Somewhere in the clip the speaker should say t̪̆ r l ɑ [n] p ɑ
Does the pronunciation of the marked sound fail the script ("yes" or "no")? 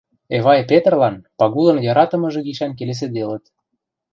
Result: no